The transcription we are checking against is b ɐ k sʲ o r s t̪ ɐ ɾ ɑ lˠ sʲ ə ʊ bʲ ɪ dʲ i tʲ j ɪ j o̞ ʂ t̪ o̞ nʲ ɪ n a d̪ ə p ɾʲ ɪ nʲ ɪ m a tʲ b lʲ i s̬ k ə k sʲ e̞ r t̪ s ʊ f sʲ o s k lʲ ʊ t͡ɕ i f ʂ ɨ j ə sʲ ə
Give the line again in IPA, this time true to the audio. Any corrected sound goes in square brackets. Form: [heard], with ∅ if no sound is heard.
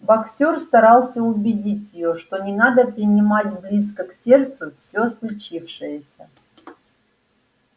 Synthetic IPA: b ɐ k sʲ o r s t̪ ɐ ɾ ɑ lˠ sʲ ə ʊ bʲ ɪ dʲ i tʲ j ɪ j o̞ ʂ t̪ o̞ nʲ ɪ n a d̪ ə p ɾʲ ɪ nʲ ɪ m a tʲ b lʲ i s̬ k ə k sʲ e̞ r t̪ s ʊ f sʲ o s k lʲ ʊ t͡ɕ i f ʂ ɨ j ə sʲ ə